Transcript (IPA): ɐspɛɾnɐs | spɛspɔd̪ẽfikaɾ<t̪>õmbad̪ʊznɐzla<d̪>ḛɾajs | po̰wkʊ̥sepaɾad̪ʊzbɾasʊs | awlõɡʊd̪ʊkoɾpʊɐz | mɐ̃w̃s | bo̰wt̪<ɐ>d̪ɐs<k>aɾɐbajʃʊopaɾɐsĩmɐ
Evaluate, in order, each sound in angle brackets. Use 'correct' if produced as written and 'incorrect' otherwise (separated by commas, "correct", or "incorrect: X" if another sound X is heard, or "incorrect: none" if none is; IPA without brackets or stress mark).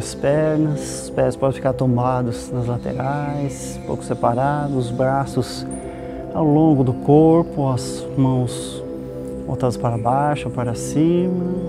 correct, incorrect: t̪, incorrect: a, incorrect: p